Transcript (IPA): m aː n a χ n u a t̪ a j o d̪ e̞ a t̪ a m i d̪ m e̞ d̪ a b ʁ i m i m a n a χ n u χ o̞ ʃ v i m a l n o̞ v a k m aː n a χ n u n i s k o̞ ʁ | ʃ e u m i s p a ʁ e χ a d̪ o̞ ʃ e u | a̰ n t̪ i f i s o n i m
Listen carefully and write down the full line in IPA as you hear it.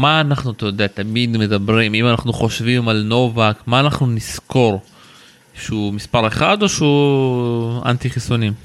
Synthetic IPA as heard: m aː n a χ n u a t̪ a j o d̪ e̞ a t̪ a m i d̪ m e̞ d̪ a b ʁ i m i m a n a χ n u χ o̞ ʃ v i m a l n o̞ v a k m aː n a χ n u n i s k o̞ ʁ | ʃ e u m i s p a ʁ e χ a d̪ o̞ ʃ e u | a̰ n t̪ i χ i s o n i m